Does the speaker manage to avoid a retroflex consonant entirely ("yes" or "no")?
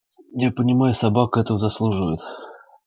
no